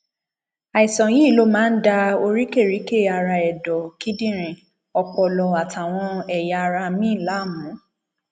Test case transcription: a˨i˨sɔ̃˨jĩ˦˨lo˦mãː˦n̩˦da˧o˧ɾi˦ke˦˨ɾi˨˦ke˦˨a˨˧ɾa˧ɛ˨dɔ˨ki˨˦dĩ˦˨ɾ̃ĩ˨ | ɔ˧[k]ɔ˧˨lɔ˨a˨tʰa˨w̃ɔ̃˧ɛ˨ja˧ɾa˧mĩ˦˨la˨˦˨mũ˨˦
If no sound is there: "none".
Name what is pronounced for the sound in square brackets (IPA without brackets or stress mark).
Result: k͡p